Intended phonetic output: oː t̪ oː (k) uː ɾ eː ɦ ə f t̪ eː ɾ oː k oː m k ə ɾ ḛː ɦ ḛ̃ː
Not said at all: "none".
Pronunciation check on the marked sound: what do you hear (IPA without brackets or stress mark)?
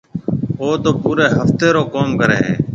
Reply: p